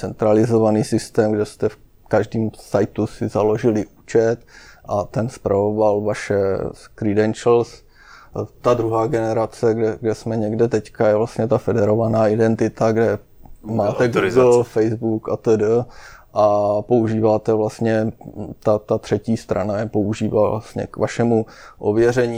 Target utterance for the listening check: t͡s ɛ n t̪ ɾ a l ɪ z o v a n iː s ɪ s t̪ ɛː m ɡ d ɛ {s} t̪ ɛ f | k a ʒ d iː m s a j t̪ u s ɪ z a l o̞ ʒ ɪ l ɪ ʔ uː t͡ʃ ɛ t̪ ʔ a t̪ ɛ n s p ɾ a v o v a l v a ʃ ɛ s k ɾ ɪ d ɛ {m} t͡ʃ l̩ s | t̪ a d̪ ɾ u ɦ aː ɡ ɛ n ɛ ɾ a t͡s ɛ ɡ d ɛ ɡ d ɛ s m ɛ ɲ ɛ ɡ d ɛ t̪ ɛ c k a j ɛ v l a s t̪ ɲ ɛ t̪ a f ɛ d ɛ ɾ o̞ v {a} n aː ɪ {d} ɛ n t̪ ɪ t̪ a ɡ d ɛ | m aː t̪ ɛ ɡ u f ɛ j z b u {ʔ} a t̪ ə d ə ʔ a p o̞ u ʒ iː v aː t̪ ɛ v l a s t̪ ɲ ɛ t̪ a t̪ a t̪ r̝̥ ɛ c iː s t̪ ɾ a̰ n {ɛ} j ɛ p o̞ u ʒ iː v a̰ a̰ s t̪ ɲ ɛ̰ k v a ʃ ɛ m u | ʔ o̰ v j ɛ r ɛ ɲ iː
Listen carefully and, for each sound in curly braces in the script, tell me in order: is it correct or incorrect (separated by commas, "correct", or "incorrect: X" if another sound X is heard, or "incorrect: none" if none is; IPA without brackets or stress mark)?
correct, incorrect: n, correct, correct, incorrect: k, incorrect: a